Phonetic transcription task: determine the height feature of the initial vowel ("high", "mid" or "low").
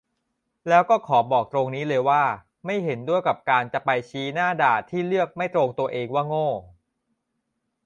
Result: mid